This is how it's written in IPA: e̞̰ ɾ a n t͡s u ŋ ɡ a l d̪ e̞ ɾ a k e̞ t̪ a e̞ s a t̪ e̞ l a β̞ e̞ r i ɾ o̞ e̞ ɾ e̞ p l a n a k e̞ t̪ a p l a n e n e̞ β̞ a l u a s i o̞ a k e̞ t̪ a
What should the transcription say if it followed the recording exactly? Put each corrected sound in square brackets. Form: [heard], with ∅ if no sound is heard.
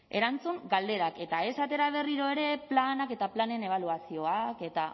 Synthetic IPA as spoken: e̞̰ ɾ a n t͡s u ŋ ɡ a l d̪ e̞ ɾ a k e̞ t̪ a e̞ s a t̪ e̞ [ɾ] a β̞ e̞ r i ɾ o̞ e̞ ɾ e̞ p l a n a k e̞ t̪ a p l a n e n e̞ β̞ a l u a s i o̞ a k e̞ t̪ a

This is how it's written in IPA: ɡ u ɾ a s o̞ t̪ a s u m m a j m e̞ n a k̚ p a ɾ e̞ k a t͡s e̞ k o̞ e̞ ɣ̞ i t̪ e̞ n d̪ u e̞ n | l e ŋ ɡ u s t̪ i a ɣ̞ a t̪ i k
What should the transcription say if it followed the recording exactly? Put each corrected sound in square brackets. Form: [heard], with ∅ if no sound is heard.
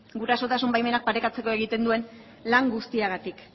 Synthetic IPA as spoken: ɡ u ɾ a s o̞ t̪ a s u m [b] a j m e̞ n a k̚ p a ɾ e̞ k a t͡s e̞ k o̞ e̞ ɣ̞ i t̪ e̞ n d̪ u e̞ n | l [a] ŋ ɡ u s t̪ i a ɣ̞ a t̪ i k

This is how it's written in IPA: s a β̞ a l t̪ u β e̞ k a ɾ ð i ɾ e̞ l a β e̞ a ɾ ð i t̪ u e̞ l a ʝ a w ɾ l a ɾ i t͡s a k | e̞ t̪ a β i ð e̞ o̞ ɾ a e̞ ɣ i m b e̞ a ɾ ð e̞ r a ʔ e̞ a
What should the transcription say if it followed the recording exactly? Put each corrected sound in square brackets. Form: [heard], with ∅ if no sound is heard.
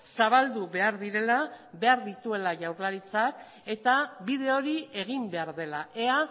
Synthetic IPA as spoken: s a β̞ a l [d̪] u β e̞ [∅] a ɾ ð i ɾ e̞ l a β e̞ a ɾ ð i t̪ u e̞ l a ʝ a w ɾ l a ɾ i t͡s a k | e̞ t̪ a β i ð e̞ o̞ ɾ [i] e̞ ɣ i m b e̞ a ɾ ð e̞ [l] a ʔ e̞ a

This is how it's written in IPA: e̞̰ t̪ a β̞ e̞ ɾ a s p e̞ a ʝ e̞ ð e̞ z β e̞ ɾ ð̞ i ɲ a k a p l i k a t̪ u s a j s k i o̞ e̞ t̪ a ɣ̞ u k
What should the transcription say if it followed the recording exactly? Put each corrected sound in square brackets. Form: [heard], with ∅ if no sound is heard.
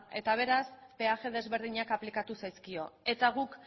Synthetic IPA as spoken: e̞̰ t̪ a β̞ e̞ ɾ a s p e̞ a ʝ e̞ ð e̞ z β e̞ ɾ ð̞ i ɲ a k a p l i k a t̪ u s a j s k i o̞ e̞ t̪ a ɣ̞ u k

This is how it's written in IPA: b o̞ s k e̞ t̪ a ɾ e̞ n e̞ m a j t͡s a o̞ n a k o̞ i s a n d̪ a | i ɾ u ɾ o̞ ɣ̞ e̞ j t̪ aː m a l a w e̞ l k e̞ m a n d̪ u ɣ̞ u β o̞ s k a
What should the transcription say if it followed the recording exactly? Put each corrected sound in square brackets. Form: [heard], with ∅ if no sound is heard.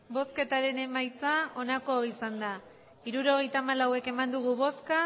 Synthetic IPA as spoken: b o̞ s k e̞ t̪ a ɾ e̞ n e̞ m a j t͡s a o̞ n a k o̞ i s a n d̪ a | i ɾ u ɾ o̞ ɣ̞ e̞ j t̪ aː m a l a w e̞ [∅] k e̞ m a n d̪ u ɣ̞ u β o̞ s k a

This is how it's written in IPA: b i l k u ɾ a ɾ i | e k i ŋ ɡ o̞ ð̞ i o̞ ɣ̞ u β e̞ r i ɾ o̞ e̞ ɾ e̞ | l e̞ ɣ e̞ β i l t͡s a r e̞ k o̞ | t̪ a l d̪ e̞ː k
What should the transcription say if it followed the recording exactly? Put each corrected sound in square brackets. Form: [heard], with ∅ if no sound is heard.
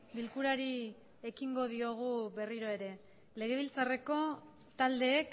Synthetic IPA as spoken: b i l k u ɾ a ɾ i | e k i ŋ ɡ o̞ ð̞ i o̞ ɣ̞ u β e̞ r i ɾ o̞ e̞ ɾ e̞ | l e̞ ɣ e̞ β i l t͡s a r e̞ k o̞ | t̪ a l d̪ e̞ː k

